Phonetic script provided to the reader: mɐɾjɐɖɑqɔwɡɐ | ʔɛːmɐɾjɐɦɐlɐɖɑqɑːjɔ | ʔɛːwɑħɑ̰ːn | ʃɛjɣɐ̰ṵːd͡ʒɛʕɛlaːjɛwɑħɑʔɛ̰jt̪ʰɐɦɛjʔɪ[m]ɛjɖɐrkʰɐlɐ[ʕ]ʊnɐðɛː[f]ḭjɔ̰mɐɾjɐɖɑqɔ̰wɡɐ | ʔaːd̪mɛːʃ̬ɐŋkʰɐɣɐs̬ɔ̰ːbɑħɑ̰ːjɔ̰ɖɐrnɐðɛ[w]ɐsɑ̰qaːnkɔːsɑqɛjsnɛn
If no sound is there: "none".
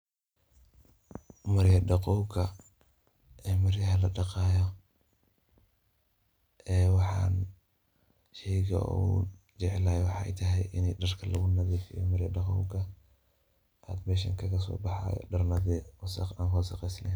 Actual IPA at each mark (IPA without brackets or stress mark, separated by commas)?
n, ɣ, f, w